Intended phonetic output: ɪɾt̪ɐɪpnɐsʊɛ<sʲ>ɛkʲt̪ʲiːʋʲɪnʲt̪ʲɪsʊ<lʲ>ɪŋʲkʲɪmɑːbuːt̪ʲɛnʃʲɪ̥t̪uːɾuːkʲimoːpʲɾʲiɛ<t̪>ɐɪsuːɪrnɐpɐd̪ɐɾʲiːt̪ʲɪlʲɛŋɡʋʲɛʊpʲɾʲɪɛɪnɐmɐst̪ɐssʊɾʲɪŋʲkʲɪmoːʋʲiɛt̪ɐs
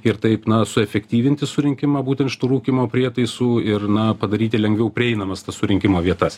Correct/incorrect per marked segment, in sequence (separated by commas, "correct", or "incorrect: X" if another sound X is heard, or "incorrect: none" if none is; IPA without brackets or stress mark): incorrect: fʲ, incorrect: ɾʲ, correct